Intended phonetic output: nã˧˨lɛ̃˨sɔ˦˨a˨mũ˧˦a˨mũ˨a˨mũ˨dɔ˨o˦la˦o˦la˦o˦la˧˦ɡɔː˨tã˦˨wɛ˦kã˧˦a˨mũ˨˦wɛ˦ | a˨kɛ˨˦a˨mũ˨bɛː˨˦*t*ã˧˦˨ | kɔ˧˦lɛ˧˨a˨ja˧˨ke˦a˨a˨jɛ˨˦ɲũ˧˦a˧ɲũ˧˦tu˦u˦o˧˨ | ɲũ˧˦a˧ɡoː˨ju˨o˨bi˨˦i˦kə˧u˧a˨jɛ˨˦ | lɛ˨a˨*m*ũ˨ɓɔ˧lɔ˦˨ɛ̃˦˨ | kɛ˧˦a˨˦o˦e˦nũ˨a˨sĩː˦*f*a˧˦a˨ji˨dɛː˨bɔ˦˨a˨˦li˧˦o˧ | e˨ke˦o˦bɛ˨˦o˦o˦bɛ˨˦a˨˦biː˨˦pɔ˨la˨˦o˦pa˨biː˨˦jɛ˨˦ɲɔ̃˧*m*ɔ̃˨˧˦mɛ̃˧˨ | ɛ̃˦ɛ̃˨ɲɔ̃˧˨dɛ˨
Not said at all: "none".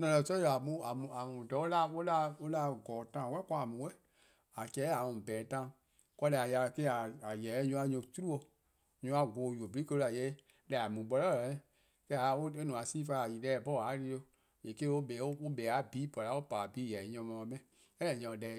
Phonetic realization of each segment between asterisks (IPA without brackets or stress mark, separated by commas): t, m, f, m